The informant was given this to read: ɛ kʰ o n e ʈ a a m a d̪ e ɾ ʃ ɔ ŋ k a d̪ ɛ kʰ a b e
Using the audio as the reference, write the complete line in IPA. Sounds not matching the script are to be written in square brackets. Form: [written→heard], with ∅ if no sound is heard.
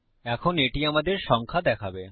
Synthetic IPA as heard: ɛ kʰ o n e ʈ [a→i] a m a d̪ e ɾ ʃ ɔ ŋ [k→kʰ] a d̪ ɛ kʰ a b e